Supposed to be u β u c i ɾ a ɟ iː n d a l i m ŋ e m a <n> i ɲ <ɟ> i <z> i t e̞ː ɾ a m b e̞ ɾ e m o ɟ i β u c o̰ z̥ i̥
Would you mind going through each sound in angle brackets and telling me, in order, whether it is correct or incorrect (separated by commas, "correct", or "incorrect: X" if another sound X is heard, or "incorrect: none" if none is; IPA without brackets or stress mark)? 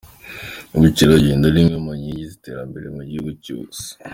incorrect: ɲ, correct, correct